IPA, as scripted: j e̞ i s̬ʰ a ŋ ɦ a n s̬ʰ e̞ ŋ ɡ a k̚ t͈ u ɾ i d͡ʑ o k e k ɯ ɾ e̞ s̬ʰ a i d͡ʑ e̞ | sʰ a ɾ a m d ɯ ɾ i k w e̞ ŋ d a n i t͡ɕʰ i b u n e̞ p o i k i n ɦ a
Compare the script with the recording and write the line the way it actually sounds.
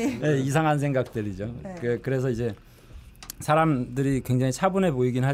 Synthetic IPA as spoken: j e̞ i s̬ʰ a ŋ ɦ a n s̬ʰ e̞ ŋ ɡ a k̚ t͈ ɯ ɾ i d͡ʑ o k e k ɯ ɾ e̞ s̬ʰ ʌ i d͡ʑ e̞ | sʰ a ɾ a m d ɯ ɾ i k w e̞ ŋ d͡ʑ a ŋ i t͡ɕʰ a b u n e̞ p o i ɡ i n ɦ a